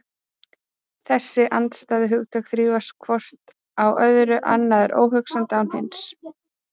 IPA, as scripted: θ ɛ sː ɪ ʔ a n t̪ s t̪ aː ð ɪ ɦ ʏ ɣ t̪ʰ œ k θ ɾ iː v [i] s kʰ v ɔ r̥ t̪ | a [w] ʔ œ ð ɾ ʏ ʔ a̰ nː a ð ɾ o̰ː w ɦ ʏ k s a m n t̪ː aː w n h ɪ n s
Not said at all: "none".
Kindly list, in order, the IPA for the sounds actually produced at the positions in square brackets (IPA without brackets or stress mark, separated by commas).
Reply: a, w